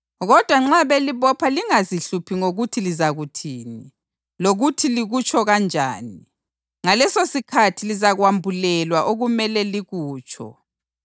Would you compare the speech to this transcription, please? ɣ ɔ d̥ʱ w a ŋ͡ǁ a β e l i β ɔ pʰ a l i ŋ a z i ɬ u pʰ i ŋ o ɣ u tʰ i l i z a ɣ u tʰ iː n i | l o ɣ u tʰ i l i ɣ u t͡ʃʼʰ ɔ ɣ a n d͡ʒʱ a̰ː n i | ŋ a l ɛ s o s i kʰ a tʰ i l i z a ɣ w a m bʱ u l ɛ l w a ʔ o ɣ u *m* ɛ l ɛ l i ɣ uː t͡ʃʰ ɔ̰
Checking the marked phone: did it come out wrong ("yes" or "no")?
no